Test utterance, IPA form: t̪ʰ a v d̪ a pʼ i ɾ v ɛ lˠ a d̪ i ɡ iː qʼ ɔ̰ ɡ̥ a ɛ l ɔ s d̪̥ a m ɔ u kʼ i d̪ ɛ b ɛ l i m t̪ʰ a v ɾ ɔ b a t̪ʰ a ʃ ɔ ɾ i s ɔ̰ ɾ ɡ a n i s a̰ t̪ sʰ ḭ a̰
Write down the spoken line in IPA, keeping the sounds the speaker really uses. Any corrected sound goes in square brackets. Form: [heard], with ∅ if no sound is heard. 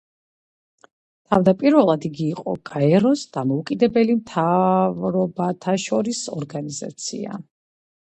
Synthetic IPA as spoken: t̪ʰ a v d̪ a pʼ i ɾ v ɛ lˠ a d̪ i ɡ iː qʼ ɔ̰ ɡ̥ a ɛ [ɾ] ɔ s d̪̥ a m ɔ u kʼ i d̪ ɛ b ɛ l i m t̪ʰ a v ɾ ɔ b a t̪ʰ a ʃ ɔ ɾ i s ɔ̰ ɾ ɡ a n i [z] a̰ t̪ sʰ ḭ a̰